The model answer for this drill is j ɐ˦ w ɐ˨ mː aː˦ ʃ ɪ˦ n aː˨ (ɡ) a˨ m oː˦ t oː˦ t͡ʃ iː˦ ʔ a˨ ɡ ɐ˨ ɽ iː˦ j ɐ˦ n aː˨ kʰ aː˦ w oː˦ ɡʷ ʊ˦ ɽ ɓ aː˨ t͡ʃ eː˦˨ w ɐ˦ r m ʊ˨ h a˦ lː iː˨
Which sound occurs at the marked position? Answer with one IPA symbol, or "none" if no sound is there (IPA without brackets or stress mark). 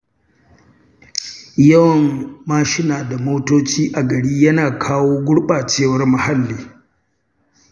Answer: d